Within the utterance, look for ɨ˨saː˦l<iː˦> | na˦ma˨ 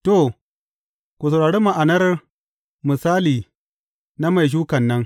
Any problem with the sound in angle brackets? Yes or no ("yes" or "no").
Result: yes